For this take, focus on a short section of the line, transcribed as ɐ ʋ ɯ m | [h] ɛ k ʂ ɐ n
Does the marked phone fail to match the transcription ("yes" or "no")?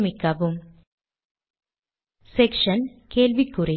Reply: yes